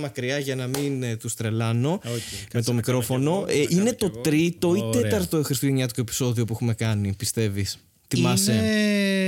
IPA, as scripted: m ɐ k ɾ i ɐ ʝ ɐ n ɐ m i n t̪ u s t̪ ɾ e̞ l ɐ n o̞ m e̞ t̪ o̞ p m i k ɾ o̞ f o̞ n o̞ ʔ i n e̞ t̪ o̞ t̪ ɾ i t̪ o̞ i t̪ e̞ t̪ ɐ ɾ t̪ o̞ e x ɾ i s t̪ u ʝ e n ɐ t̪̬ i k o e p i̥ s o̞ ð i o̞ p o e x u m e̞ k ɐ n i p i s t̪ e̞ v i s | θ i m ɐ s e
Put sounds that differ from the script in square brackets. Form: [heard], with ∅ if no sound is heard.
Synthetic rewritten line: m ɐ k ɾ i ɐ ʝ ɐ n ɐ m i n t̪ u s t̪ ɾ e̞ l ɐ n o̞ m e̞ t̪ o̞ [∅] m i k ɾ o̞ f o̞ n o̞ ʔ i n e̞ t̪ o̞ t̪ ɾ i t̪ o̞ i t̪ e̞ t̪ ɐ ɾ t̪ o̞ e x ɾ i s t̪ u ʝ e [ɲ] ɐ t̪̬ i k o e p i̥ s o̞ ð i o̞ p [u] e x u m e̞ k ɐ n i p i s t̪ e̞ v i s | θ i m ɐ s e